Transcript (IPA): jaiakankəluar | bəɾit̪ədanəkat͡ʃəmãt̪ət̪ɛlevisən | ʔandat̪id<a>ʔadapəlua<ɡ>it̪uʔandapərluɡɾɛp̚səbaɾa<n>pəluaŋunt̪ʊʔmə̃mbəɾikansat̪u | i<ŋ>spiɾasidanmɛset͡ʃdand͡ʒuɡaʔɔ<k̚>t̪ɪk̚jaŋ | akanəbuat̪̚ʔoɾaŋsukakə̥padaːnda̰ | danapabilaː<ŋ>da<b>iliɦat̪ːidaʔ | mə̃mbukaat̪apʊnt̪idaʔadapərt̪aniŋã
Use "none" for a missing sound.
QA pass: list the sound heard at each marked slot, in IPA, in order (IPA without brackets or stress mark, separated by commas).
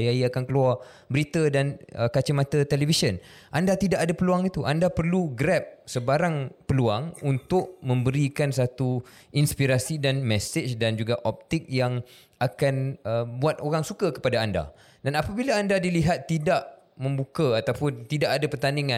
a, ŋ, ŋ, n, p̚, n, d